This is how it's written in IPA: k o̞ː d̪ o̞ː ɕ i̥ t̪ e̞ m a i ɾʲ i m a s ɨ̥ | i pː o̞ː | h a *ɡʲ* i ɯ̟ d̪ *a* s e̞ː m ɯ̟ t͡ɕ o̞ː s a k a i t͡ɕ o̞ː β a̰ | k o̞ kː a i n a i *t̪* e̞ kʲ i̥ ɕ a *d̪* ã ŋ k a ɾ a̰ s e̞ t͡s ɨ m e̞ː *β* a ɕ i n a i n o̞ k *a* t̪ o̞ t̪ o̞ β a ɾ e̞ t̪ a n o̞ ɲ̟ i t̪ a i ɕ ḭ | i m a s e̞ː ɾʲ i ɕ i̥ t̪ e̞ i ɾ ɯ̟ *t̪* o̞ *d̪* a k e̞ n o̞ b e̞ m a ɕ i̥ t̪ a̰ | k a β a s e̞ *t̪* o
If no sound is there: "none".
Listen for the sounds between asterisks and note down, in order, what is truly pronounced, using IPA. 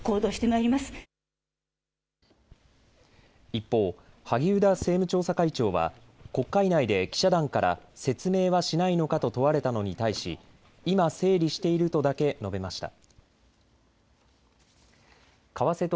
ɡʲ, a, d̪, d̪, β, a, t̪, d̪, t̪

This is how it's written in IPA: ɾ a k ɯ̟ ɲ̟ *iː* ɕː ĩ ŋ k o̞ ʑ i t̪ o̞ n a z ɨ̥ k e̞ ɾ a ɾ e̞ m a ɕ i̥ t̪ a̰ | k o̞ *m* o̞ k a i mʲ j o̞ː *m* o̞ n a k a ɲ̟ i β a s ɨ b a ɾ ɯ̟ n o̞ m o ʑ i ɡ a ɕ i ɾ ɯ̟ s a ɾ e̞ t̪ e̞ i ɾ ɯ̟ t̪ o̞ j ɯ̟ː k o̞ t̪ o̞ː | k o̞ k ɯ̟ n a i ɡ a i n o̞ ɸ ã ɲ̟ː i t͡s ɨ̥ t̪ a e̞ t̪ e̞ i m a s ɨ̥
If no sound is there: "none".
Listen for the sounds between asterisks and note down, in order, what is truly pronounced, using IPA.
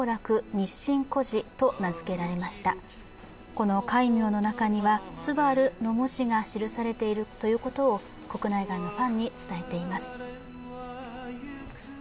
i, n, n

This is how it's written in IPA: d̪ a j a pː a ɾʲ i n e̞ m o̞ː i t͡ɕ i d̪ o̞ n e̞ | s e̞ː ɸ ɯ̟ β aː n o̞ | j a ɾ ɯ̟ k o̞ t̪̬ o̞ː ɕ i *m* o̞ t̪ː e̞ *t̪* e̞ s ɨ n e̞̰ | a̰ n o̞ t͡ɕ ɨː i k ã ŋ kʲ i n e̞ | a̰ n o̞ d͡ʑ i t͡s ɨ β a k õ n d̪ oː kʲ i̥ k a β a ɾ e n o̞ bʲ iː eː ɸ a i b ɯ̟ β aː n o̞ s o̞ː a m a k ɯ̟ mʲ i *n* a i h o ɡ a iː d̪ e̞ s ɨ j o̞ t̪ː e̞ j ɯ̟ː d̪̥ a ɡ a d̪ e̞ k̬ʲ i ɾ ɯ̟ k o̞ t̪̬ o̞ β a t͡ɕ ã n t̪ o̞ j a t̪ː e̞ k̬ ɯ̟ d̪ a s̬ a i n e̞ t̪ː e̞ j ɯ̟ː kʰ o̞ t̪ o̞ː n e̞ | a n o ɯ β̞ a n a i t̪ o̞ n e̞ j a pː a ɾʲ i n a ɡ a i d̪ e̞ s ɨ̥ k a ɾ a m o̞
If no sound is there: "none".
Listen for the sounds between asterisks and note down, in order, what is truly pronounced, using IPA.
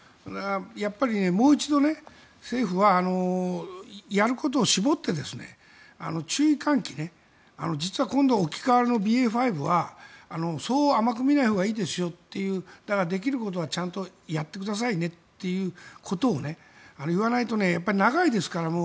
b, d̪, n

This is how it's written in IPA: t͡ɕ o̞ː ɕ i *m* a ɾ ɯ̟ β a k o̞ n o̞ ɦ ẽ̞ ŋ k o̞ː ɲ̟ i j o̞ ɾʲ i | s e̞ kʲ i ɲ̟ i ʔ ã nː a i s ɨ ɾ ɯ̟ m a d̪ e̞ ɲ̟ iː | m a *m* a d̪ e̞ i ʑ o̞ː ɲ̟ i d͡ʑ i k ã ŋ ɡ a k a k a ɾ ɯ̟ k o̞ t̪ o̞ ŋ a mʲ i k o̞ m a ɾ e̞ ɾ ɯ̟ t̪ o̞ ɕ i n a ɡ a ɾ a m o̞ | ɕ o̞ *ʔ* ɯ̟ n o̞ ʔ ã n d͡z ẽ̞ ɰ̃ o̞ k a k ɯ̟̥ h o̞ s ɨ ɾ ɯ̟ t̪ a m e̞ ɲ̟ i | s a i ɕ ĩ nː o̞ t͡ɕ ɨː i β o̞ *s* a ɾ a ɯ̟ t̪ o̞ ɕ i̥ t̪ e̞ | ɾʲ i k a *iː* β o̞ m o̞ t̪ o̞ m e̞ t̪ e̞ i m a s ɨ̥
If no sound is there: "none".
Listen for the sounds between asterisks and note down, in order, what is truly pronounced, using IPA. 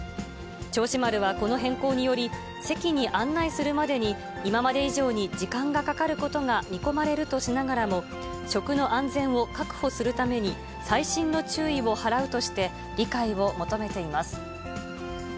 m, m, k, h, i

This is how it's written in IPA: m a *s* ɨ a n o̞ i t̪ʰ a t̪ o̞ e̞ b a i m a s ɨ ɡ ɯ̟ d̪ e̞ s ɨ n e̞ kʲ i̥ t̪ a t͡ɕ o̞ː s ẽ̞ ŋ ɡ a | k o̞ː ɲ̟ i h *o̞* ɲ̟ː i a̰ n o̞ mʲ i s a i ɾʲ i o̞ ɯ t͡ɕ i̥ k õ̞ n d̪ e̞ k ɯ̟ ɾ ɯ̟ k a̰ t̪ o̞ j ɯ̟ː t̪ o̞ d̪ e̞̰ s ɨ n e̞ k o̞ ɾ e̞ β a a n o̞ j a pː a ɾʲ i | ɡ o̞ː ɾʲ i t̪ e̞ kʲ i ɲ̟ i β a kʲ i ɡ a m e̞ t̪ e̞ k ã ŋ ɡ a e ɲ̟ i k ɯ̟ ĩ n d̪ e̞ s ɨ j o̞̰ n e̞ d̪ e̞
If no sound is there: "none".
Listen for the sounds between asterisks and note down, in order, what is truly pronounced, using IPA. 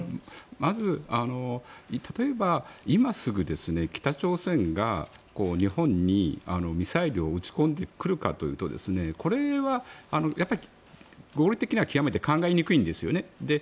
z, õ̞

